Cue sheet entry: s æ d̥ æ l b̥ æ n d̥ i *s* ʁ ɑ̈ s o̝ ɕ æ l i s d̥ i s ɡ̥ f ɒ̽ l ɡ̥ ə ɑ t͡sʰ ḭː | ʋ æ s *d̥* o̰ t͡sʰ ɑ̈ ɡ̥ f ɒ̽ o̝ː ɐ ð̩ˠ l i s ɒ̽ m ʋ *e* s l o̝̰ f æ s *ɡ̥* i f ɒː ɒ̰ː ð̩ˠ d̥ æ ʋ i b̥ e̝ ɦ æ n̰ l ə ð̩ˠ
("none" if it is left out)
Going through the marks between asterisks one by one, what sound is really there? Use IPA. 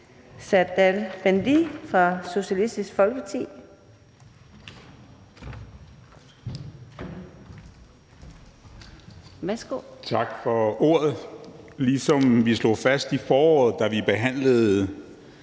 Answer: f, ɡ̥, i, d̥

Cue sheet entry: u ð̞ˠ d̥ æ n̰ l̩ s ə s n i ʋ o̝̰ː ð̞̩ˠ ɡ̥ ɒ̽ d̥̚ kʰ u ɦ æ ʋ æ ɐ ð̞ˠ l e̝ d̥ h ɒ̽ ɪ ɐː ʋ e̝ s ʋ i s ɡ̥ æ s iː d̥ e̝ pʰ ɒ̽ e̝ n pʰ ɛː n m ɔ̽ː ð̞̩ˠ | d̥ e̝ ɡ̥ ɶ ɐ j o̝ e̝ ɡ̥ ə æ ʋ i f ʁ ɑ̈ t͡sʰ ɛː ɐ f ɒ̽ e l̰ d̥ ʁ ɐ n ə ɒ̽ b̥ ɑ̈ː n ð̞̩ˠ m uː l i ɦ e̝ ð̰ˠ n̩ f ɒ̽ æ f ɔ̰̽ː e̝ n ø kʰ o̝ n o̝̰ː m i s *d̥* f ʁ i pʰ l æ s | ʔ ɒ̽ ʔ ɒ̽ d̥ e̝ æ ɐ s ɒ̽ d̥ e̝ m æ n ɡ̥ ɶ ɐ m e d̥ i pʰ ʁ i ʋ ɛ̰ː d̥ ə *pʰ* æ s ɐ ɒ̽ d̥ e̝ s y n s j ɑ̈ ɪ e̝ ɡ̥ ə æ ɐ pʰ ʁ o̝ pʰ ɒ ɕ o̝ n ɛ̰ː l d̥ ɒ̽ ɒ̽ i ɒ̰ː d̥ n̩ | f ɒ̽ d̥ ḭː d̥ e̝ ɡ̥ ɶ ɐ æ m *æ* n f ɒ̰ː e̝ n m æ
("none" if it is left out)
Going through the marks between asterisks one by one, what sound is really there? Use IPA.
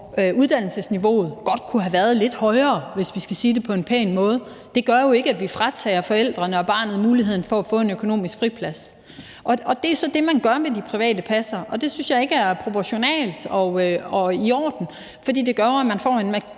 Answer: ɡ̥, pʰ, æ

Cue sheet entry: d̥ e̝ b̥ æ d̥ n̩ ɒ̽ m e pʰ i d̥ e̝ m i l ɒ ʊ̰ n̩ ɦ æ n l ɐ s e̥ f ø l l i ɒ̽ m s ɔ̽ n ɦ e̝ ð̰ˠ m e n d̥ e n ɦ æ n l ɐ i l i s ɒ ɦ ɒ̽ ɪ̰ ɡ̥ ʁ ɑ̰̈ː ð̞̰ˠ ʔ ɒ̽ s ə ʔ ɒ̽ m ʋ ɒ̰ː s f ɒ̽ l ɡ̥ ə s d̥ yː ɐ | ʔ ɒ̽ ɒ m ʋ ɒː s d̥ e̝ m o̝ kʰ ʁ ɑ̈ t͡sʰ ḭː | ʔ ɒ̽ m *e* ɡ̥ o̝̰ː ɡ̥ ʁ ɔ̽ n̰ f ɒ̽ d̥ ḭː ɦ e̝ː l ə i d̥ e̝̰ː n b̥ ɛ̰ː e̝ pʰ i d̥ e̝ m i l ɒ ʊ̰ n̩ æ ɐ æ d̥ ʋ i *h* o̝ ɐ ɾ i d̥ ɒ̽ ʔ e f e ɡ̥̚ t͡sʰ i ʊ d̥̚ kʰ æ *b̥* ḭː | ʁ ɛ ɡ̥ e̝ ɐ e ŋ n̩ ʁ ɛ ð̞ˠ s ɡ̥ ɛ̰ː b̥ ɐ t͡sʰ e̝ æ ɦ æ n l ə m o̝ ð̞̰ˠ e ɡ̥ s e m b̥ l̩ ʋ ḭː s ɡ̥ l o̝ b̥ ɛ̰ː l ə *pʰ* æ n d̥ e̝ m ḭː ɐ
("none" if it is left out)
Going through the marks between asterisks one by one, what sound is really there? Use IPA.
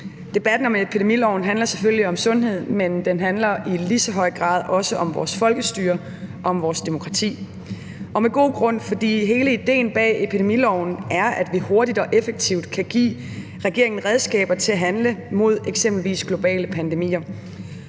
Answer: e, h, ɡ̥, pʰ

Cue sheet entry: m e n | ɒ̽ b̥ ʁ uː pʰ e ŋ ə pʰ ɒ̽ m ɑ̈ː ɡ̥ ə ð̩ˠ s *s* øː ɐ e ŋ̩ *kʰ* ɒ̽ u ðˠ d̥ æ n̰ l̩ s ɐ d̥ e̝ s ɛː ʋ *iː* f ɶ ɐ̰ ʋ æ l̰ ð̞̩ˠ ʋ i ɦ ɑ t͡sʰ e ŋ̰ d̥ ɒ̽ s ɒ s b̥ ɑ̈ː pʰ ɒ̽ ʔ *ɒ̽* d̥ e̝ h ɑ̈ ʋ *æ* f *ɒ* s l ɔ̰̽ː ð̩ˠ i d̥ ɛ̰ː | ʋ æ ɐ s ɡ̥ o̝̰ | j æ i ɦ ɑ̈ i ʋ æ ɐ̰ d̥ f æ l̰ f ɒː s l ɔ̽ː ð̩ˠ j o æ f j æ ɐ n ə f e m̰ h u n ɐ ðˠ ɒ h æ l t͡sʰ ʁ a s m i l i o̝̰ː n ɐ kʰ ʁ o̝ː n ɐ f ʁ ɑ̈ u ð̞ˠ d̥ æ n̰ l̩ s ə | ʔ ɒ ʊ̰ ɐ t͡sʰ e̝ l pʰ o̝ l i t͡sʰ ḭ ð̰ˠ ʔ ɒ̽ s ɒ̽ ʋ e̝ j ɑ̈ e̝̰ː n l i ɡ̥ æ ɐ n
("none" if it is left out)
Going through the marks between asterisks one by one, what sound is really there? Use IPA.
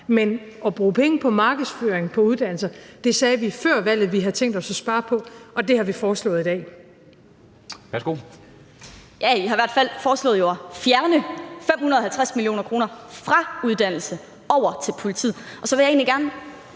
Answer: f, pʰ, i, ɒ̽, i, ɒː

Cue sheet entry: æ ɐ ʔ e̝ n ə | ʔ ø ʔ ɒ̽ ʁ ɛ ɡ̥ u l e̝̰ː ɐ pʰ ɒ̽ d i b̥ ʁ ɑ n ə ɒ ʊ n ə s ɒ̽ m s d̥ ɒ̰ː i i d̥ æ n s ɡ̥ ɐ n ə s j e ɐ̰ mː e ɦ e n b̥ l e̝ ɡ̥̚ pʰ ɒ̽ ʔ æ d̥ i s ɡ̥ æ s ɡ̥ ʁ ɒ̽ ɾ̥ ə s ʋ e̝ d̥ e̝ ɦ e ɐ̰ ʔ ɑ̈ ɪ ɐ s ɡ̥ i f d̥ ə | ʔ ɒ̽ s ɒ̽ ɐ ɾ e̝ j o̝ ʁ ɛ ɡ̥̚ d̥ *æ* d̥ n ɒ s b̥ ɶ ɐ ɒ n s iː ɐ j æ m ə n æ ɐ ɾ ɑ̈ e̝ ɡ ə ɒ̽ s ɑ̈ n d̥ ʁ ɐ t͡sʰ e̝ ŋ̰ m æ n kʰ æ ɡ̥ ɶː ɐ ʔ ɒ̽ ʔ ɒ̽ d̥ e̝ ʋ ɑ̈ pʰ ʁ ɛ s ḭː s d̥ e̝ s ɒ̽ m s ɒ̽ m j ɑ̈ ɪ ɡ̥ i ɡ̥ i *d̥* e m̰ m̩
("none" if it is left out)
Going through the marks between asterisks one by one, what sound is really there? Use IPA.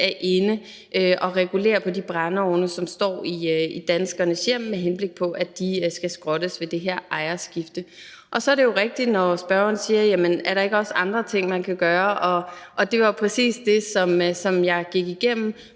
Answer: i, ɡ̥

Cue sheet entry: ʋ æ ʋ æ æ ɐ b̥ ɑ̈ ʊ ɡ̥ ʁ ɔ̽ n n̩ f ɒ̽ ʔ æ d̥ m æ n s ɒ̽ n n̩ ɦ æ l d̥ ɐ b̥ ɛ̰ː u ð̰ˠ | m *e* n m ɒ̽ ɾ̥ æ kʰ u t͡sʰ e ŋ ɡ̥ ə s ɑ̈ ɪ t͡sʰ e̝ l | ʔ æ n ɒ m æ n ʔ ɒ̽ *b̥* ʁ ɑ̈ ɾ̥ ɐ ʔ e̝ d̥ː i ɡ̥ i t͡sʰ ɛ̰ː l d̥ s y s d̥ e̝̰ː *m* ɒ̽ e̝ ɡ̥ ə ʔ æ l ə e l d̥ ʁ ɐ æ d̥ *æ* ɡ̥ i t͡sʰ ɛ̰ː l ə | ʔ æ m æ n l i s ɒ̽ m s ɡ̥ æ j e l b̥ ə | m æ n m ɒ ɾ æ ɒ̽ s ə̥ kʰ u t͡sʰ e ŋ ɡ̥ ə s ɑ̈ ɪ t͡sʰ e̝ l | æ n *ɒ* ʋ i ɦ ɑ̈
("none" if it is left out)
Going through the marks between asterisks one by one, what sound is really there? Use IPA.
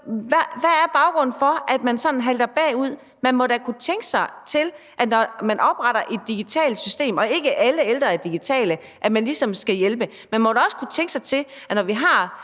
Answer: æ, b̥, m, i, ɒ

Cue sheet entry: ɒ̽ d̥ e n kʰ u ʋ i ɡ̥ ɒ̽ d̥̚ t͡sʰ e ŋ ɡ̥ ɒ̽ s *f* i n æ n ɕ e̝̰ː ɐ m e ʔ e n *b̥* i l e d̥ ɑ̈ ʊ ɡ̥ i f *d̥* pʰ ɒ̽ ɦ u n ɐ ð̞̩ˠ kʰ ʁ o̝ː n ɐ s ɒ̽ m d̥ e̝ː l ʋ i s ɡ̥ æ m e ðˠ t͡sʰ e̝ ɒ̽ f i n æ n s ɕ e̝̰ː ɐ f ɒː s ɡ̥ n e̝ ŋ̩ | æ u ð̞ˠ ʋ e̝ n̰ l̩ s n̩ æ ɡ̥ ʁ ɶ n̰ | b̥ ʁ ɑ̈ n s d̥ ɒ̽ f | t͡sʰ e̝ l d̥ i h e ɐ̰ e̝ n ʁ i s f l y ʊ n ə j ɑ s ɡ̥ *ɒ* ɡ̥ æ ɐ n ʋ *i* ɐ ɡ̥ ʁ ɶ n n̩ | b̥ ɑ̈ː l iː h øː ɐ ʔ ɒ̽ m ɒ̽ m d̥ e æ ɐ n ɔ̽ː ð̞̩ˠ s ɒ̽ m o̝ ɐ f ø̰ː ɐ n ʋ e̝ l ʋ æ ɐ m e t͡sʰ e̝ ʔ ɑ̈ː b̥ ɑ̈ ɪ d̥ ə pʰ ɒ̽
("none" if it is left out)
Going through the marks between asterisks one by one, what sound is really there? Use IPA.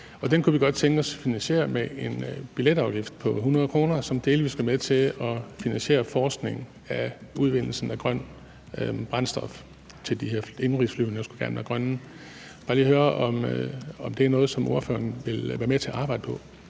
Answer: f, b̥, d̥, u, æ

